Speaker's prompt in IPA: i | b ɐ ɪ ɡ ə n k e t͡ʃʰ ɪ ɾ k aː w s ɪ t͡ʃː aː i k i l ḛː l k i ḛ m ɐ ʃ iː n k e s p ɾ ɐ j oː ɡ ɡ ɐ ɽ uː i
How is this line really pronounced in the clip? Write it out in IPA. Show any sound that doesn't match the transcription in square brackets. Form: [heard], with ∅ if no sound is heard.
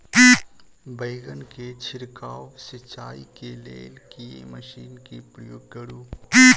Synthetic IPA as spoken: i | b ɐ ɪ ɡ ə n k e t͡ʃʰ ɪ ɾ k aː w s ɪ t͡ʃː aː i k [e] l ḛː l k i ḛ m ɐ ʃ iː n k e [∅] p ɾ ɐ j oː ɡ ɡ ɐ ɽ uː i